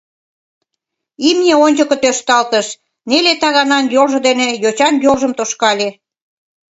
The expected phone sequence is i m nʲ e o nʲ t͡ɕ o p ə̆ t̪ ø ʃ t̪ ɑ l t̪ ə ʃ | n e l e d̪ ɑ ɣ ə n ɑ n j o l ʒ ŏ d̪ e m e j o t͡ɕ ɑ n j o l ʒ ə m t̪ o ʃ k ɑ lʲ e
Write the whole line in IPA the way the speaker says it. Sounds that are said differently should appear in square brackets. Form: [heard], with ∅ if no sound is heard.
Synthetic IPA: i m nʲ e o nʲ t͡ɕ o [k] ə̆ t̪ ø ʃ t̪ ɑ l t̪ ə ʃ | n e l e [t̪] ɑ ɣ [ɑ] n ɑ n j o l ʒ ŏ d̪ e [n] e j o t͡ɕ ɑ n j o l ʒ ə m t̪ o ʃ k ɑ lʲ e